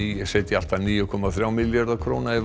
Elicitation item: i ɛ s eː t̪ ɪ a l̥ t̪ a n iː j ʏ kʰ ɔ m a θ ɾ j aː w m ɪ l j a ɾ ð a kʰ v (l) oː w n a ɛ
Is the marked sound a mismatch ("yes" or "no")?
yes